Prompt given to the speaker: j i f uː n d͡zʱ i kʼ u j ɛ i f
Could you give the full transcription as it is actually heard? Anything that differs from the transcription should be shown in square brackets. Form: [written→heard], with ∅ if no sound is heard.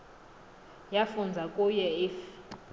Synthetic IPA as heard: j [i→a] f [uː→u] n d͡zʱ [i→a] kʼ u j ɛ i f